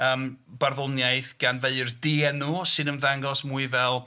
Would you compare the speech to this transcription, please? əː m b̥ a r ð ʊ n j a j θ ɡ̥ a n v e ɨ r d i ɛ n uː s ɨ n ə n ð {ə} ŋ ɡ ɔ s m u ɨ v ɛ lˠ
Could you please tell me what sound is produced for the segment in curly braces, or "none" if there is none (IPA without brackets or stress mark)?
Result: a